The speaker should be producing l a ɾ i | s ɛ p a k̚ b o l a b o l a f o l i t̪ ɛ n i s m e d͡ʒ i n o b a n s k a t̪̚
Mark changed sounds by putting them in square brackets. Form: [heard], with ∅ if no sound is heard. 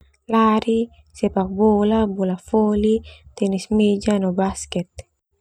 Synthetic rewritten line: l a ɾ i | s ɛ p a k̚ b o l a b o l a f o l i t̪ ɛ n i s m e d͡ʒ [a] n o b a [∅] s k [ɛ] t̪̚

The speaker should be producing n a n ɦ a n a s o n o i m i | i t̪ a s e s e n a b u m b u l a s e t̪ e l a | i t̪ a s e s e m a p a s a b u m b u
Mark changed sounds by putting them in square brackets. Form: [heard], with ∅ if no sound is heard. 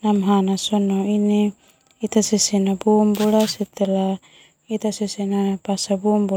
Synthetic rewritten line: n a [m] ɦ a n a s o n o i [n] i | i t̪ a s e s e n a b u m b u l a s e t̪ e l a | i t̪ a s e s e [n] a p a s a b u m b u

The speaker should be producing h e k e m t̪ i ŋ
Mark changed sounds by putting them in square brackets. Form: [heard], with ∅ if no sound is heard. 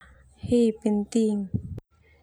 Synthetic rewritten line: h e [p] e [n] t̪ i ŋ

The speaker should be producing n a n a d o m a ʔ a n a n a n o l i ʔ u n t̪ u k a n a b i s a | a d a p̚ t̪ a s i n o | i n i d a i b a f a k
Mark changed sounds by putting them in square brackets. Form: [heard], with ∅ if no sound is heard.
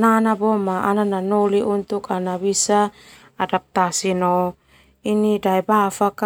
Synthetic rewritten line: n a n a [b] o m a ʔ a n a n a n o l i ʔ u n t̪ u k a n a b i s a | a d a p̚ t̪ a s i n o | i n i d a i b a f a k

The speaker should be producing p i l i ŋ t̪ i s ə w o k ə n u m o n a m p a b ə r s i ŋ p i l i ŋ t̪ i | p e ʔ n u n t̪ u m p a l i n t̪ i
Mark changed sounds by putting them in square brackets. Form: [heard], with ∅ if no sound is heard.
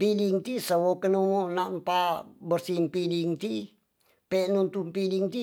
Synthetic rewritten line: p i l i ŋ t̪ i s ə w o k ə n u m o n a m p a b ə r s i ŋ p i l i ŋ t̪ i | p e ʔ n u n t̪ u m p [i] l i [ŋ] t̪ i

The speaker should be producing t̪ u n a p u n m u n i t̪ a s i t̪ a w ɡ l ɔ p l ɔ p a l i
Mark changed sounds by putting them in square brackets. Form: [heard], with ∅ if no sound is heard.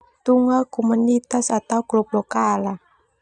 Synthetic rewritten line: t̪ u [ŋ] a [k] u [∅] m u n i t̪ a s [a] t̪ a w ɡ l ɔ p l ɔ [k] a l [a]

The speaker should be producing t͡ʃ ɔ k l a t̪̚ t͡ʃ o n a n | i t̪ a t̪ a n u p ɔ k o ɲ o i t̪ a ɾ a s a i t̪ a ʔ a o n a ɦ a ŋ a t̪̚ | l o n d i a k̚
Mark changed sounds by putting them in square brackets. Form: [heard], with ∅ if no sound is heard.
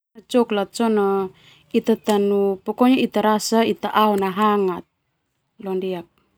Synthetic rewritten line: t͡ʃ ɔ k l a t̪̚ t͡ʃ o n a [∅] | i t̪ a t̪ a n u p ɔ k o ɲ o i t̪ a ɾ a s a i t̪ a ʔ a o n a ɦ a ŋ a t̪̚ | l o n d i a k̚

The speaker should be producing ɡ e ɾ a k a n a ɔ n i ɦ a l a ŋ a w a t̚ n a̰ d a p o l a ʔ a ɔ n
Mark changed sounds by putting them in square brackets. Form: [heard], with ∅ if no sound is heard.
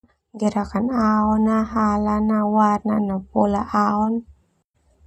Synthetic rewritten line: ɡ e ɾ a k a n a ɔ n [a] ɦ a l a [n] a w a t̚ n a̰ [n] a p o l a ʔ a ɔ n

